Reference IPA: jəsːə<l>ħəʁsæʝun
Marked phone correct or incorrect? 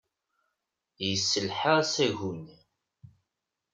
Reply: correct